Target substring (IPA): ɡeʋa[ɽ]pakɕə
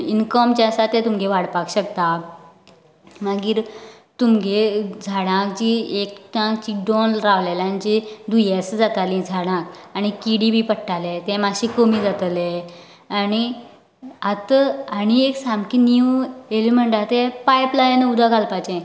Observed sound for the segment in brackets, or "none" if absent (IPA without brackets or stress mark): ɽ